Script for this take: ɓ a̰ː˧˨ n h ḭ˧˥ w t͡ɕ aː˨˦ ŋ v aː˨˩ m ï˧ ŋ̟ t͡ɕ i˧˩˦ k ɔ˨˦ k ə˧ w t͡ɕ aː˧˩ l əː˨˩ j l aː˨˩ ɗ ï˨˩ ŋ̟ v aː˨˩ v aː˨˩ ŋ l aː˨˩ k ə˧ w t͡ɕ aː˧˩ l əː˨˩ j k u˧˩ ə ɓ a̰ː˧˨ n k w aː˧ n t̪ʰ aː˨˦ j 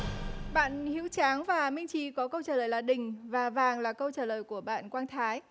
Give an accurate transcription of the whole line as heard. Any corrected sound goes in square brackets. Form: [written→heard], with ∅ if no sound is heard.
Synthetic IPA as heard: ɓ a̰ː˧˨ n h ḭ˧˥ w t͡ɕ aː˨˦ ŋ v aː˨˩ m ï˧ ŋ̟ t͡ɕ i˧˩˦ k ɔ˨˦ k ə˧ w t͡ɕ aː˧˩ l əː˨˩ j l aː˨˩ ɗ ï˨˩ ŋ̟ v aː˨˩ v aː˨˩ ŋ l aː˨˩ k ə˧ w t͡ɕ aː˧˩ l əː˨˩ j k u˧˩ ə ɓ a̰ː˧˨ n k w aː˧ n t̪ʰ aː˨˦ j